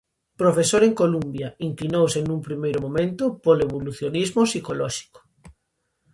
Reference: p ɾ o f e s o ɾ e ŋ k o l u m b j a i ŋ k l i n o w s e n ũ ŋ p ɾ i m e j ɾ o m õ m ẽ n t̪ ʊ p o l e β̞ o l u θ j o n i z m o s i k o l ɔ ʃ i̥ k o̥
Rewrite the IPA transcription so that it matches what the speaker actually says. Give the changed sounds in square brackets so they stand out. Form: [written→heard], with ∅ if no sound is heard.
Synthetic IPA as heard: p ɾ o f e s o ɾ e ŋ k o l u m b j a i ŋ k l i n o w s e n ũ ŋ p ɾ i m e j ɾ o m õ m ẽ n t̪ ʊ p o l e β̞ o l u θ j o n i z m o s i k o l ɔ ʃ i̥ k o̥